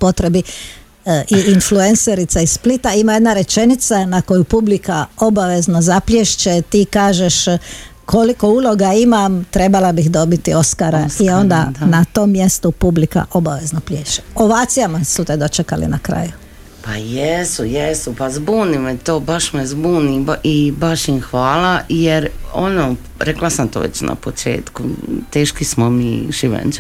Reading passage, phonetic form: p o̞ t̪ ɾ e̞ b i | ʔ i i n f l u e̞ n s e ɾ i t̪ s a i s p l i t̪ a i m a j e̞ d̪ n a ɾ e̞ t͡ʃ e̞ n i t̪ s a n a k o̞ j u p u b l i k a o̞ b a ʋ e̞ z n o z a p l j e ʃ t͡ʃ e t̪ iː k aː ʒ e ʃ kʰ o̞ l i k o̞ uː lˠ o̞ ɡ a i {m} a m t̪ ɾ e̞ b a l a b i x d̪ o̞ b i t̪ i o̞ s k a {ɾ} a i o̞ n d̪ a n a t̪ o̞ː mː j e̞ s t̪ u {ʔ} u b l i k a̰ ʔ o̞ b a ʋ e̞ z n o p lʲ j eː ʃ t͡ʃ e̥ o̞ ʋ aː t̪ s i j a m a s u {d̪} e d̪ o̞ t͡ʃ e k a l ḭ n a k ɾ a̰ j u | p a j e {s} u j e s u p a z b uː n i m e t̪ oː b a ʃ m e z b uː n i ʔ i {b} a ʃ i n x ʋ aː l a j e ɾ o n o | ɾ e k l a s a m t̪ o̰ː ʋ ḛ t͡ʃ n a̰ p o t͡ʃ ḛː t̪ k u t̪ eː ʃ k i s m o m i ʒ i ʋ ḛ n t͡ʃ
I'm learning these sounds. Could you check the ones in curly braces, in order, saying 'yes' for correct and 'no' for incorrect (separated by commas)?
yes, yes, no, no, yes, yes